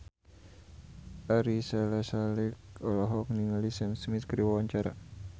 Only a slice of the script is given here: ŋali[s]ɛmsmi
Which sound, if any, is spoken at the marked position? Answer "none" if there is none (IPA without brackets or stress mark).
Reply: s